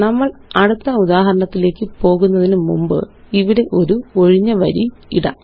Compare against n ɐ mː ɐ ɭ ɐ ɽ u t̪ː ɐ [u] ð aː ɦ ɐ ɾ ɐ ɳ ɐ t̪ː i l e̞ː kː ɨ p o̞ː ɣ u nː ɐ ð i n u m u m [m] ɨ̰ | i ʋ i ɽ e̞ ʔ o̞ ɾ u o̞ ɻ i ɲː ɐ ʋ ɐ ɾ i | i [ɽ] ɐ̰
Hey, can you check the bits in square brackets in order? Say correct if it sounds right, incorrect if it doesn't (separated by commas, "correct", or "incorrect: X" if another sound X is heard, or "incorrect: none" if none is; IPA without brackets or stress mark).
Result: correct, incorrect: b, correct